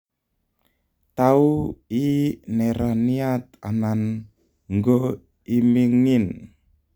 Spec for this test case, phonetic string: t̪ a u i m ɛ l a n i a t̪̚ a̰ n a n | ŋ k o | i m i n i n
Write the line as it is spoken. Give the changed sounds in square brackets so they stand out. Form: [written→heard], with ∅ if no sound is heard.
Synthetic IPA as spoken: t̪ a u i [m→n] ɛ [l→ɾ] a n i a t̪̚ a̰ n a n | ŋ [k→ɡ] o | i m i [n→ŋ] i n